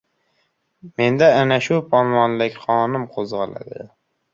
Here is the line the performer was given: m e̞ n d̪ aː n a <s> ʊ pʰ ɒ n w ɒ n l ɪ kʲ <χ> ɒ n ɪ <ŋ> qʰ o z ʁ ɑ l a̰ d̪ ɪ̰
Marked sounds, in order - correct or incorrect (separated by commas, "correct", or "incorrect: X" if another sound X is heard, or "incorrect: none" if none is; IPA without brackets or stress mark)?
incorrect: ʃ, correct, incorrect: m